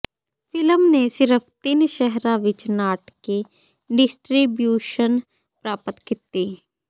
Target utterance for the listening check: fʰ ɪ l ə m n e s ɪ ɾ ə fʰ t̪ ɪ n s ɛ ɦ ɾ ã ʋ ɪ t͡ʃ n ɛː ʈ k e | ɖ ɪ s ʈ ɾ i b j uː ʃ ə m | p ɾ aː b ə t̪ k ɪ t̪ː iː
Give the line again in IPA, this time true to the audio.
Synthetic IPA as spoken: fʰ ɪ l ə m n e s ɪ ɾ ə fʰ t̪ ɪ n ʃ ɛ ɦ ɾ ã ʋ ɪ t͡ʃ n aː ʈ k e | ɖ ɪ s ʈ ɾ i b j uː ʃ ə n | p ɾ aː p ə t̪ k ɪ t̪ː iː

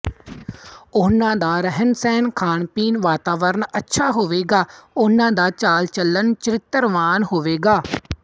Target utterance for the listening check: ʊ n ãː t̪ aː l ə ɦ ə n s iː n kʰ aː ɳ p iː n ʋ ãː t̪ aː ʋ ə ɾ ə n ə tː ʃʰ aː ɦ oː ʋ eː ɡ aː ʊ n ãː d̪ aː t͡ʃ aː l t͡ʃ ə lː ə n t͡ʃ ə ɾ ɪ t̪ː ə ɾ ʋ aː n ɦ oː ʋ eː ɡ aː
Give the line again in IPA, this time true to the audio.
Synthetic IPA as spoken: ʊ n ãː d̪ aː ɾ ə ɦ ə n s ɛː n kʰ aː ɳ p iː n ʋ aː t̪ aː ʋ ə ɾ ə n ə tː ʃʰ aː ɦ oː ʋ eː ɡ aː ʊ n ãː d̪ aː t͡ʃ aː l t͡ʃ ə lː ə n t͡ʃ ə ɾ ɪ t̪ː ə ɾ ʋ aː n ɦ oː ʋ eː ɡ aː

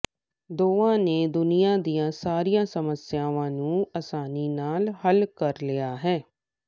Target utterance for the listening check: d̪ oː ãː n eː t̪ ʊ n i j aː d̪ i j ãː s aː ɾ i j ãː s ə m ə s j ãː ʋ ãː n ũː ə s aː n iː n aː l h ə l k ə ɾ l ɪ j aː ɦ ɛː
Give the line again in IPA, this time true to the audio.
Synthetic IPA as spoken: d̪ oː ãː n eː d̪ ʊ n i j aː d̪ i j ãː s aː ɾ i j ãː s ə m ə s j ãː ʋ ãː n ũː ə s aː n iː n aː l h ə l k ə ɾ l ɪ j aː ɦ ɛː

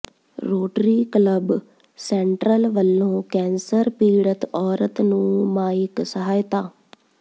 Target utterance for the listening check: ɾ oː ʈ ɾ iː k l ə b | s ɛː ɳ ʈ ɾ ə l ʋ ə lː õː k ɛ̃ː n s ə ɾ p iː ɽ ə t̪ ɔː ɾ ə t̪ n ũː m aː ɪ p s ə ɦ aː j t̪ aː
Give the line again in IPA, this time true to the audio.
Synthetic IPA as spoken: ɾ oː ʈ ɾ iː k l ə b | s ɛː ɳ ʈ ɾ ə l ʋ ə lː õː k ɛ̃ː n s ə ɾ p iː ɽ ə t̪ ɔː ɾ ə t̪ n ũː m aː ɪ k s ə ɦ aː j t̪ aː

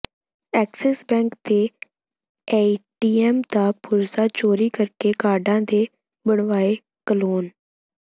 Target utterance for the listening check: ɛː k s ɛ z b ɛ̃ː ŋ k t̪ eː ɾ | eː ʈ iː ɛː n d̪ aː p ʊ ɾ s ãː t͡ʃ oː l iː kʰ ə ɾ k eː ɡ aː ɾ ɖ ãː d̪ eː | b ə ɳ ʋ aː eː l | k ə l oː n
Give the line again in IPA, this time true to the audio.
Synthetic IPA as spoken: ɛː k s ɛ s b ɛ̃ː ŋ k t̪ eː | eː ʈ iː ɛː m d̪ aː p ʊ ɾ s aː t͡ʃ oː ɾ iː k ə ɾ k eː k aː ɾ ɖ ãː d̪ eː | b ə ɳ ʋ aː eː | k ə l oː n

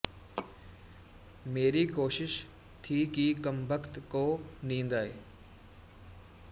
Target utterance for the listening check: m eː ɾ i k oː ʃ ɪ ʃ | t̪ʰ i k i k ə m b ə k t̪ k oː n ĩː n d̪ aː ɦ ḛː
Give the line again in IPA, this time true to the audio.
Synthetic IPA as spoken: m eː ɾ i k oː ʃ ɪ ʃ | t̪ʰ i k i k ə m b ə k t̪ k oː n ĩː n d̪ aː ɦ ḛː

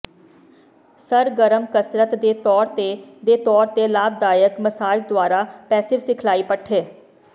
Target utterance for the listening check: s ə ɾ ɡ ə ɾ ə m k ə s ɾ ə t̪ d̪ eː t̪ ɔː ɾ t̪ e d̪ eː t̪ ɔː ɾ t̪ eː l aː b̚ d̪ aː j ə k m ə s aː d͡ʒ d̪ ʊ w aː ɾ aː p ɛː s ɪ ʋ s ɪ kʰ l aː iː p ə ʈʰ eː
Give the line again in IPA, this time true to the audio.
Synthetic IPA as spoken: s ə ɾ ɡ ə ɾ ə m k ə s ɾ ə t̪ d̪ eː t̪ ɔː ɾ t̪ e d̪ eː t̪ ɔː ɾ t̪ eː l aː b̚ d̪ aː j ə k m ə s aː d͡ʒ d̪ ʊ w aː ɾ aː p ɛː s ɪ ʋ s ɪ kʰ l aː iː p ə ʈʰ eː

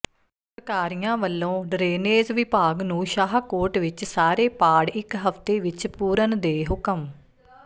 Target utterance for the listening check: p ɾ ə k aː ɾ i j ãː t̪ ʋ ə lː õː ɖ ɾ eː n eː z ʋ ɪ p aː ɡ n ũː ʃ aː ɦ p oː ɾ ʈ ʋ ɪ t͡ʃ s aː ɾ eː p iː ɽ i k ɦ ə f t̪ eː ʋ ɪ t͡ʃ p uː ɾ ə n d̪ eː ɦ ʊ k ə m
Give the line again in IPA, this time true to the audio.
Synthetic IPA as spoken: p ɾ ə k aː ɾ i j ãː ʋ ə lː õː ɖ ɾ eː n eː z ʋ ɪ p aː ɡ n ũː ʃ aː ɦ k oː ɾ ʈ ʋ ɪ t͡ʃ s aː ɾ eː p aː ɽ ɪ k ɦ ə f t̪ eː ʋ ɪ t͡ʃ p uː ɾ ə n d̪ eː ɦ ʊ k ə m

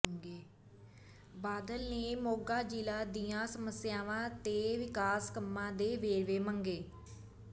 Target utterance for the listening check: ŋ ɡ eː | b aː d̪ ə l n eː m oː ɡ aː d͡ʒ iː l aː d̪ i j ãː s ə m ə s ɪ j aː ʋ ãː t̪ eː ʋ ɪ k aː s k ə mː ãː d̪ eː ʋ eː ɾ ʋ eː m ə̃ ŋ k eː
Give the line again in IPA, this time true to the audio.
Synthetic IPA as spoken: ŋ ɡ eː | b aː d̪ ə l n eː m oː ɡ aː d͡ʒ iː l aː d̪ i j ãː s ə m ə s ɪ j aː ʋ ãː t̪ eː ʋ ɪ k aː s k ə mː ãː d̪ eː ʋ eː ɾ ʋ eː m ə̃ ŋ ɡ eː

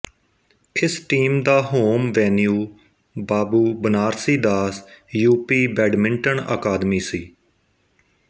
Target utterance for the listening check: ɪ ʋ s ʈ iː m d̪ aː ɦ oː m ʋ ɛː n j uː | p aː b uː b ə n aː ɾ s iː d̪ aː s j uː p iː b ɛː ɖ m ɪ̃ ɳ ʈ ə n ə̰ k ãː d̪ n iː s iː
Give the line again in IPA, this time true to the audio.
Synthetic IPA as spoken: ɪ s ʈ iː m d̪ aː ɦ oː m ʋ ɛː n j uː | b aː b uː b ə n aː ɾ s iː d̪ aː s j uː p iː b ɛː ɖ m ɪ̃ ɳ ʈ ə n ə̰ k aː d̪ m iː s iː

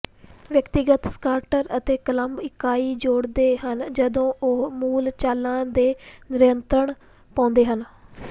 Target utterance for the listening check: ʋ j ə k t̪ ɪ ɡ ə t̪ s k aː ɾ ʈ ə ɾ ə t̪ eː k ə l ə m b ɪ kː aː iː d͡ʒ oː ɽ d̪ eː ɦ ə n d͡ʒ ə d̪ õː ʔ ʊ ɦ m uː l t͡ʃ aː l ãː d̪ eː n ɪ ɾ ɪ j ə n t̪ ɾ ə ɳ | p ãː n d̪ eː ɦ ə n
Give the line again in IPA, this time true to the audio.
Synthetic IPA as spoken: ʋ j ə k t̪ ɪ ɡ ə t̪ s k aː ɾ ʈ ə ɾ ə t̪ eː k ə l ə m b ɪ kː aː iː d͡ʒ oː ɽ d̪ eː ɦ ə n d͡ʒ ə d̪ õː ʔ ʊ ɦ m uː l t͡ʃ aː l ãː d̪ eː n ɪ ɾ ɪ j ə n t̪ ɾ ə ɳ | p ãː n d̪ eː ɦ ə n

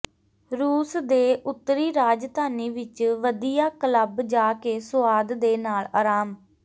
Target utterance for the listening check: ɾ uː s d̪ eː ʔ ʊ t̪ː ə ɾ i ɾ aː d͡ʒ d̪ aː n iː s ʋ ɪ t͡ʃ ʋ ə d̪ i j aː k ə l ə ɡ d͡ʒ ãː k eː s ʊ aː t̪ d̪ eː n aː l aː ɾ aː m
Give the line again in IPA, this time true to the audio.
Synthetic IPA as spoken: ɾ uː s d̪ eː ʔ ʊ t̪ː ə ɾ iː ɾ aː d͡ʒ t̪ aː n iː ʋ ɪ t͡ʃ ʋ ə d̪ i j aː k ə l ə b d͡ʒ aː k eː s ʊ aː d̪ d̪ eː n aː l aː ɾ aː m

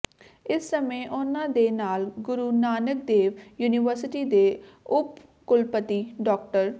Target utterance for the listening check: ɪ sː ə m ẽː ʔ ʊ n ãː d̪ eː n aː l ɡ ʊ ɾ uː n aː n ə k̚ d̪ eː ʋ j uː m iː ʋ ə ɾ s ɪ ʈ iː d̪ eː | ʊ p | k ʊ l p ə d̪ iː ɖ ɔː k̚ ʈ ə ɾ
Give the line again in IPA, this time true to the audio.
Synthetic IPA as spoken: ɪ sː ə m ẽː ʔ ʊ n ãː d̪ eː n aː l ɡ ʊ ɾ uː n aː n ə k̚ d̪ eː ʋ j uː n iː ʋ ə ɾ s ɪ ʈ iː d̪ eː | ʊ p | k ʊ l p ə t̪ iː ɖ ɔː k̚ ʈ ə ɾ

